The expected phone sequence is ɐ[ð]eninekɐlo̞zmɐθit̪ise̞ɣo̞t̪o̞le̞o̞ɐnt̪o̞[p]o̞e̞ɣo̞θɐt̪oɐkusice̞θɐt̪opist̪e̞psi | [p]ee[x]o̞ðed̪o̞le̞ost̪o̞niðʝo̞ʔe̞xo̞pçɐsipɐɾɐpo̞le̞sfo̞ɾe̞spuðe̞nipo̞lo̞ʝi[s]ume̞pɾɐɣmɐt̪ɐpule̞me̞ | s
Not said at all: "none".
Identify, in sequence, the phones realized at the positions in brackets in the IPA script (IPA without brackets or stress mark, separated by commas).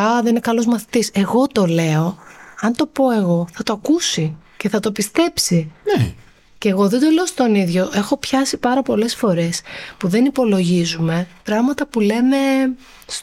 ð, p, c, ɣ, z